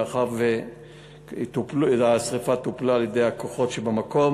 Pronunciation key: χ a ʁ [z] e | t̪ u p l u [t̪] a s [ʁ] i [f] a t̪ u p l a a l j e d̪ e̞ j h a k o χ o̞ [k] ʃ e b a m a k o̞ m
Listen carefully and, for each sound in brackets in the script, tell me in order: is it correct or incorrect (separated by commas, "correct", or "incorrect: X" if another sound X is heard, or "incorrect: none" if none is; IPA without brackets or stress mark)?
incorrect: v, incorrect: none, correct, correct, incorrect: t